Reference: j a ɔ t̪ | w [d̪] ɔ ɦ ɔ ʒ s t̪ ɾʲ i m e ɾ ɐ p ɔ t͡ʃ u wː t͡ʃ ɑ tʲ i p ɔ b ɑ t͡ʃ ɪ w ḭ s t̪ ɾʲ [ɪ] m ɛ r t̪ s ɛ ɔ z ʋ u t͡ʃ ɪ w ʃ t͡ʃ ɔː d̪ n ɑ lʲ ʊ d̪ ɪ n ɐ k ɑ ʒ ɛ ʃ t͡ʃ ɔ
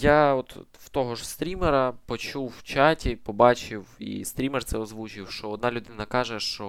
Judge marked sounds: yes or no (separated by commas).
no, no